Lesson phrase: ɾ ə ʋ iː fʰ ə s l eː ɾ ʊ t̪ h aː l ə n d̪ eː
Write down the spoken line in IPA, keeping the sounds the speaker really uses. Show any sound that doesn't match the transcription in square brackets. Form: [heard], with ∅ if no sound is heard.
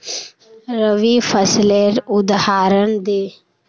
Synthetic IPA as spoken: ɾ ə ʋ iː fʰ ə s l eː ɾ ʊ [d̪] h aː [ɾ] ə n d̪ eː